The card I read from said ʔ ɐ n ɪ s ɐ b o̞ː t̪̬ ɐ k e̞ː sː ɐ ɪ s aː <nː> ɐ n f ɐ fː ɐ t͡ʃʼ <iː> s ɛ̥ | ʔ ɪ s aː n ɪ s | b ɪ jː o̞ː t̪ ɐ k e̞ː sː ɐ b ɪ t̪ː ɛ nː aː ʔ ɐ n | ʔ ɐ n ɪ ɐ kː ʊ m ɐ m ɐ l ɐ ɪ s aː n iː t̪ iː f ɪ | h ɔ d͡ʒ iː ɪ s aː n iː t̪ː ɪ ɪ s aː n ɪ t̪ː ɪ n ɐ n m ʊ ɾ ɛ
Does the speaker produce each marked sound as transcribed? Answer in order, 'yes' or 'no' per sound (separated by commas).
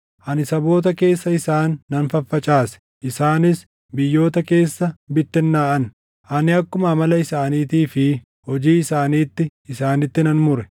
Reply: yes, no